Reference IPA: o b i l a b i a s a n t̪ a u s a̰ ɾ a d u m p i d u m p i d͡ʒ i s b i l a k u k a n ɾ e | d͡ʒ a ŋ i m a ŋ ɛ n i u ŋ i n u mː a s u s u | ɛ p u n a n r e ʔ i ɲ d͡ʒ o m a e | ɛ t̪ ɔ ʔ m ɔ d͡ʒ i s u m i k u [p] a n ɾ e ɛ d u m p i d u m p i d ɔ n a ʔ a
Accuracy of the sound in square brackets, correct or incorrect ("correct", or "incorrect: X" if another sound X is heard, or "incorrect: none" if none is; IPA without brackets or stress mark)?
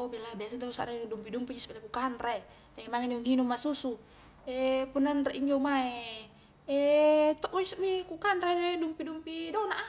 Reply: incorrect: k